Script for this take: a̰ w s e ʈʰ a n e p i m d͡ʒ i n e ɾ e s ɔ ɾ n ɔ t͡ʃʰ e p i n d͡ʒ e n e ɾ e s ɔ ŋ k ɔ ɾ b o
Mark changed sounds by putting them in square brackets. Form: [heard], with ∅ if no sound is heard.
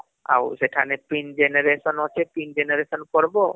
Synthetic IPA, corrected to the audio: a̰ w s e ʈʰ a n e p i [n] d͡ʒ [e] n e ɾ e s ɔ [∅] n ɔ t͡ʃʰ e p i n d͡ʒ e n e ɾ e s ɔ [n] k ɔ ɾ b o